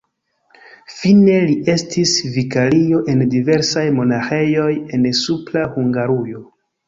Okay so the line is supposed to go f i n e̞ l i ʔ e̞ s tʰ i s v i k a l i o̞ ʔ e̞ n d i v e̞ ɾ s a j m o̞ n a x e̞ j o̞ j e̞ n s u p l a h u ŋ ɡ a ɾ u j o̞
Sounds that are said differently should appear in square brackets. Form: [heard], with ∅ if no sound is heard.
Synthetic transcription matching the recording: f i n e̞ l i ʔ e̞ s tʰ i s v i k a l i o̞ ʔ e̞ n d i v e̞ ɾ s a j m o̞ n a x e̞ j o̞ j e̞ n s u p l a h u ŋ ɡ a ɾ u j o̞